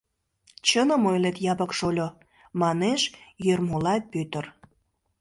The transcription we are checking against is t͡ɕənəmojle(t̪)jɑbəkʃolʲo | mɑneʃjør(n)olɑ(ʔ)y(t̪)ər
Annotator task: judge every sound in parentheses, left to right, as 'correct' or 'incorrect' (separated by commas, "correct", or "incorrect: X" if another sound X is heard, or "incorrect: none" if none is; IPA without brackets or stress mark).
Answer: correct, incorrect: m, incorrect: p, correct